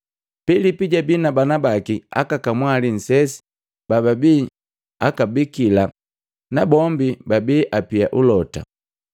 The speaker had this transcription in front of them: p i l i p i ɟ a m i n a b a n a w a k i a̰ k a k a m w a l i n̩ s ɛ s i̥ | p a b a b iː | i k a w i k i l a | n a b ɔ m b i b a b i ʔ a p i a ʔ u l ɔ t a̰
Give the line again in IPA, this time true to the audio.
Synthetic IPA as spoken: p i l i p i ɟ a b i n a b a n a b a k i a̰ k a k a m w a l i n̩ s ɛ s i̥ | b a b a b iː | a k a b i k i l a | n a b ɔ m b i b a b i ʔ a p i a ʔ u l ɔ t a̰